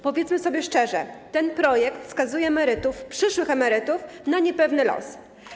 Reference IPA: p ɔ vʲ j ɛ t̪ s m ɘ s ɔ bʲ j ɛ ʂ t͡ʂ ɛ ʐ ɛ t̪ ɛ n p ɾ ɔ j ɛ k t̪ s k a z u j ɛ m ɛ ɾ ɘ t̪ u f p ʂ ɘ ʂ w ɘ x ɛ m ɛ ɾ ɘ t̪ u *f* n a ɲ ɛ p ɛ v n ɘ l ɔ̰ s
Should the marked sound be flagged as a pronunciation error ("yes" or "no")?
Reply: no